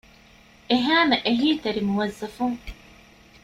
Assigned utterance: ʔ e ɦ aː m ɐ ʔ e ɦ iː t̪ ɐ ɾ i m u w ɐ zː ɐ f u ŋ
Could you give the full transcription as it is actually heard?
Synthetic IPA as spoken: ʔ e ɦ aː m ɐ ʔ e ɦ iː t̪ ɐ ɾ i m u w ɐ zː ɐ f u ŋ